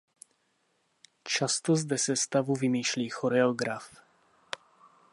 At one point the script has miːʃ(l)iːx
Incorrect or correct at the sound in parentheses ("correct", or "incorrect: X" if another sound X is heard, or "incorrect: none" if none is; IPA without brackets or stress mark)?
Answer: correct